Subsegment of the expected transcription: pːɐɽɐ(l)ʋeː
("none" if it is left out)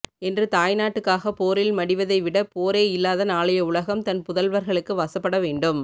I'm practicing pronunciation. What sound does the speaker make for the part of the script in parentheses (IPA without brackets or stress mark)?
none